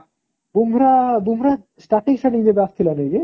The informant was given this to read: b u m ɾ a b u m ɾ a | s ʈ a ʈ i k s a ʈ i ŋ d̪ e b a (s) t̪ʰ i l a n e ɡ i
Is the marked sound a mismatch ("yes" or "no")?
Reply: no